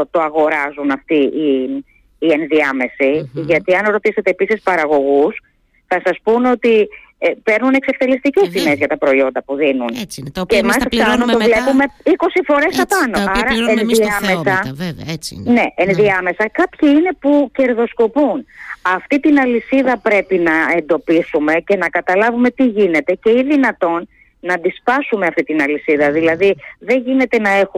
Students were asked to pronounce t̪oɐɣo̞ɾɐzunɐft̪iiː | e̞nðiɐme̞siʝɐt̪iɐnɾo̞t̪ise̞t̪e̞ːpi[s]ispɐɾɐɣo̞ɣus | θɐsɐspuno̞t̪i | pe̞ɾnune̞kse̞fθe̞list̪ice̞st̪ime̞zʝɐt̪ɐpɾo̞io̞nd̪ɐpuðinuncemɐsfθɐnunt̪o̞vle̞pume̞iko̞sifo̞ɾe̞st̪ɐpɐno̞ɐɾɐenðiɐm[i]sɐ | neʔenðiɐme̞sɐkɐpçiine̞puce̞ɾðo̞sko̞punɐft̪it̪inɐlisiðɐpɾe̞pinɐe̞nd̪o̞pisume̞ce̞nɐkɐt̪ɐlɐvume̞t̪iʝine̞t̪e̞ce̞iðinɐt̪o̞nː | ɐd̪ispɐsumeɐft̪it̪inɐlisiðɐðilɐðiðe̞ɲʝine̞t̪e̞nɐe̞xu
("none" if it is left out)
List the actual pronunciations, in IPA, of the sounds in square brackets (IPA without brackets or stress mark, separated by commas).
s, e